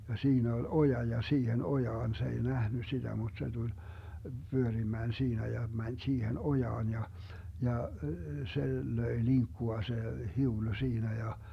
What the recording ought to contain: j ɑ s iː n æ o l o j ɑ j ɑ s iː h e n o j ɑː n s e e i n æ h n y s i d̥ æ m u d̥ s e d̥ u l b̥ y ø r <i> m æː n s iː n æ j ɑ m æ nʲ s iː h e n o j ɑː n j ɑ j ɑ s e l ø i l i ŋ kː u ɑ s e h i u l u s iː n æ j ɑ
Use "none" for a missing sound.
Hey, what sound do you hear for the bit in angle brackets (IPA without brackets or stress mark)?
i